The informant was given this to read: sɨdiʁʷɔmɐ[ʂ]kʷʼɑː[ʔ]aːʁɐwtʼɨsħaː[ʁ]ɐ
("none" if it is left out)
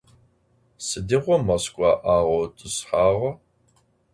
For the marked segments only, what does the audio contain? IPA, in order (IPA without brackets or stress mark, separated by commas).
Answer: s, ʔ, ʁ